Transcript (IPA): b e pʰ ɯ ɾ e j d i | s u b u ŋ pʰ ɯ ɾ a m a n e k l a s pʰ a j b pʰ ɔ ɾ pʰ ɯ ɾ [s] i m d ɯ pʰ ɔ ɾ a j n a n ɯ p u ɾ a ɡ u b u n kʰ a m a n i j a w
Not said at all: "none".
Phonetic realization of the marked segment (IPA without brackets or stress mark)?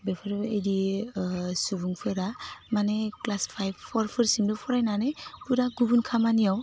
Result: s